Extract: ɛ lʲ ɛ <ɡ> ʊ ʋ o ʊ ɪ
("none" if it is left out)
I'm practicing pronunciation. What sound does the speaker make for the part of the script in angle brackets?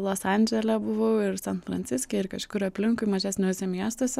b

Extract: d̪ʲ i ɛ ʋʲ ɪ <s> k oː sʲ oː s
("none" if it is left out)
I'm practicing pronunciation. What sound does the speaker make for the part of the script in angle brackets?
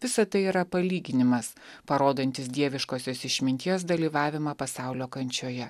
ʃ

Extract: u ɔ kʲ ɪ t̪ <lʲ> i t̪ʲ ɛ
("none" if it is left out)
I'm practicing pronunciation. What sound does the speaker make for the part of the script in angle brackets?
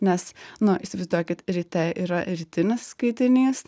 ɾʲ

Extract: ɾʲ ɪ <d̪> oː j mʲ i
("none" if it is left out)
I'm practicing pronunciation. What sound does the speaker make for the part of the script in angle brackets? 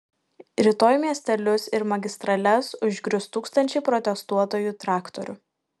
t̪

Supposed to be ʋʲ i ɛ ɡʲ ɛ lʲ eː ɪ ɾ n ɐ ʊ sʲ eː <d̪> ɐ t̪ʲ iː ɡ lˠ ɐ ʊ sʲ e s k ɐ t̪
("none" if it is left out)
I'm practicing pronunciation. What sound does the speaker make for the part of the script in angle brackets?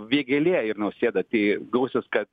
d̪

